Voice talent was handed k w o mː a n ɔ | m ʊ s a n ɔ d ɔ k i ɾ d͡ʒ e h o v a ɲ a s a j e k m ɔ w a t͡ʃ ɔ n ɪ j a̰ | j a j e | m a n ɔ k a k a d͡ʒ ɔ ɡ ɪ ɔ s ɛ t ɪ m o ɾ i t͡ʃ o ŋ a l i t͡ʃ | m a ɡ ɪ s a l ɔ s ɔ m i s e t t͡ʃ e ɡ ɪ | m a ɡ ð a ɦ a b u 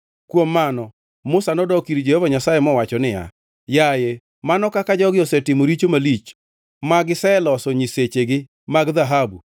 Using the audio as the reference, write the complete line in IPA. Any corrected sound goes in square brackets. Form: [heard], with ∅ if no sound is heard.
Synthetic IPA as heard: k w o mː a n ɔ | m ʊ s a n ɔ d ɔ k i ɾ d͡ʒ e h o v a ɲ a s a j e [∅] m ɔ w a t͡ʃ ɔ n ɪ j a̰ | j a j e | m a n ɔ k a k a d͡ʒ ɔ ɡ ɪ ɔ s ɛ t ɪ m o ɾ i t͡ʃ o [m] a l i t͡ʃ | m a ɡ ɪ s [ɛ] l ɔ s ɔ [ɲ] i s e [∅] t͡ʃ e ɡ ɪ | m a ɡ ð a ɦ a b u